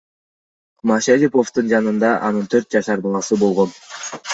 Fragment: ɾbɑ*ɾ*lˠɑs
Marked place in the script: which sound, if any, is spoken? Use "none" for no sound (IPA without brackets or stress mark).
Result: none